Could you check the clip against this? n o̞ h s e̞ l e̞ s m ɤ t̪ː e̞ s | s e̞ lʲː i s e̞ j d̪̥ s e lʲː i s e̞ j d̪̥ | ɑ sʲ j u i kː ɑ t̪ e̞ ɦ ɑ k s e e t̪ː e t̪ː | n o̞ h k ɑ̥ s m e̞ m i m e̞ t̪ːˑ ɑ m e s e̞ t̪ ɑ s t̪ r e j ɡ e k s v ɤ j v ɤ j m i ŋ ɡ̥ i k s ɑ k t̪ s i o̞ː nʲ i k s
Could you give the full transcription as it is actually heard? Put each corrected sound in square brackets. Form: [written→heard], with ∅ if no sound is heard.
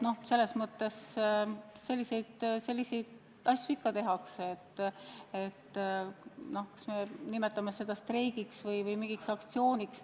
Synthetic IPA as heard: n o̞ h s e̞ [l→lː] e̞ s m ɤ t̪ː e̞ s | s e̞ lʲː i s e̞ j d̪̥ s e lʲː i s e̞ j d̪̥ | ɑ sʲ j u i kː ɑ t̪ e̞ ɦ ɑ k s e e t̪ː e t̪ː | n o̞ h k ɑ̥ s m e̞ [m→n] i m e̞ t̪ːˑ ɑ m e s e̞ [t̪→d̪] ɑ s t̪ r e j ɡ [e→i] k s v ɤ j v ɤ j m i ŋ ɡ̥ i k s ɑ k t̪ s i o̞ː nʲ i k s